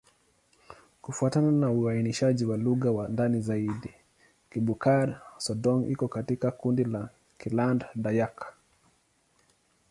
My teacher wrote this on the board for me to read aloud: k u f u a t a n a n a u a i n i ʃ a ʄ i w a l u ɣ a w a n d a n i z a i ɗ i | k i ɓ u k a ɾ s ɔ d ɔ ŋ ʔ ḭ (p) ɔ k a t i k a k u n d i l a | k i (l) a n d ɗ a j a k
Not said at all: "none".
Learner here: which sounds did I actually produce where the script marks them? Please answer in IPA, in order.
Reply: k, l

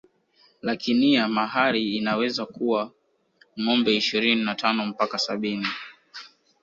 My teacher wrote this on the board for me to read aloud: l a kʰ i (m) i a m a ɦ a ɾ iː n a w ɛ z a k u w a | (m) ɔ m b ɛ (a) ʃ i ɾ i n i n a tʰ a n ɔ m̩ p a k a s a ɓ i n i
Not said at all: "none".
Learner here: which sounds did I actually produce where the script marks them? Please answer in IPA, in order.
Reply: n, ŋ, i

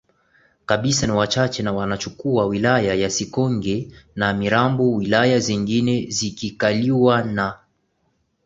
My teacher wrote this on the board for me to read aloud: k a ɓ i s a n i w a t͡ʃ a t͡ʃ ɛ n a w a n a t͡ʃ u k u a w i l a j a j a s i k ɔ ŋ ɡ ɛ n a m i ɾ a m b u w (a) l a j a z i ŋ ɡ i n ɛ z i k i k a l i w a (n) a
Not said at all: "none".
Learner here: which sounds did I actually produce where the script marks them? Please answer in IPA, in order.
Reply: i, n

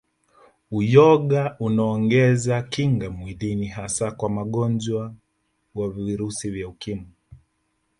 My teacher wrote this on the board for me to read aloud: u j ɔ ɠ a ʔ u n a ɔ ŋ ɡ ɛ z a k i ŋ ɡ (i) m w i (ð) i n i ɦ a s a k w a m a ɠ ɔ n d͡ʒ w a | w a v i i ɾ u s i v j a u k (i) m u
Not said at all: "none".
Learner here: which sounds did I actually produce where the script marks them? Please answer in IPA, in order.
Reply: a, ð, i

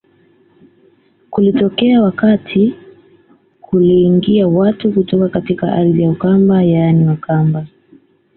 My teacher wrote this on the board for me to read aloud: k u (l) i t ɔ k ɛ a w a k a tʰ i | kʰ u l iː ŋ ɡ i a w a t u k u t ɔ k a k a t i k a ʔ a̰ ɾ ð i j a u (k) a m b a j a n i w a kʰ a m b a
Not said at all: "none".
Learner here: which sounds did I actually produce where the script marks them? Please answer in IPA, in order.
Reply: l, k

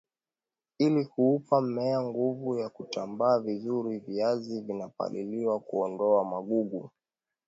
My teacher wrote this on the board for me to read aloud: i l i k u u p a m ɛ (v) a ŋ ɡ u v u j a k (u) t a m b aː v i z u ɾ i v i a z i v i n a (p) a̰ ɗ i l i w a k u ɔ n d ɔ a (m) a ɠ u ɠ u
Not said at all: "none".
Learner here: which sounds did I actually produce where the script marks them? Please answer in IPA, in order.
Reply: none, u, p, m

